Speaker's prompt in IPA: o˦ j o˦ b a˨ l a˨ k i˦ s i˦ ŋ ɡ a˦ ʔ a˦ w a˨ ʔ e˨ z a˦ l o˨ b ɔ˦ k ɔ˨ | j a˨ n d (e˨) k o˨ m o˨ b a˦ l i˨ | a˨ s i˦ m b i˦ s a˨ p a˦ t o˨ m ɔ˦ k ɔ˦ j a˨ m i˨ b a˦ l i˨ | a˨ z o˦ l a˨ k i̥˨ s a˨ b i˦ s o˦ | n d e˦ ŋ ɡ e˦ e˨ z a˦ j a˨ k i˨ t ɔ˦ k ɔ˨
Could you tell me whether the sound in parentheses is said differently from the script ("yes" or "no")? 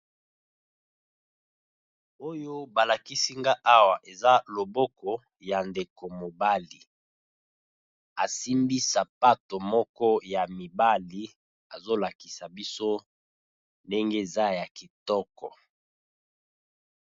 no